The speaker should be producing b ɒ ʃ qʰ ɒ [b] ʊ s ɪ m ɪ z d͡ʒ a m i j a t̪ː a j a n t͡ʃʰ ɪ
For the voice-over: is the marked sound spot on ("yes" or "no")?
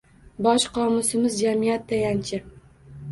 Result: no